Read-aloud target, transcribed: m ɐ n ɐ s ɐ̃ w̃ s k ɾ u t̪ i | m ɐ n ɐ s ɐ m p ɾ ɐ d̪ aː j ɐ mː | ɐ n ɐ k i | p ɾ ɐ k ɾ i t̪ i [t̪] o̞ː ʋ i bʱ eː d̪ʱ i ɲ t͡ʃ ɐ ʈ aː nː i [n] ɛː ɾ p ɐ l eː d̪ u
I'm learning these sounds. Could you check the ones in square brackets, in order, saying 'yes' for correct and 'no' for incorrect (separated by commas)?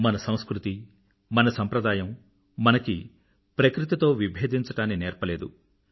yes, yes